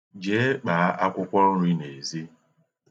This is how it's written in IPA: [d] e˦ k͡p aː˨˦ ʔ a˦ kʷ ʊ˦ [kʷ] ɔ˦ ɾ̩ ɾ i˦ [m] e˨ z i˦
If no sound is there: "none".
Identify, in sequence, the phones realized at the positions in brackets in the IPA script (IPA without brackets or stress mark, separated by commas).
d͡ʒ, kʷ, n